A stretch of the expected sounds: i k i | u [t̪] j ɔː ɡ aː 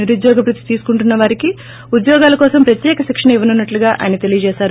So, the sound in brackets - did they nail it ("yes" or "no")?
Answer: no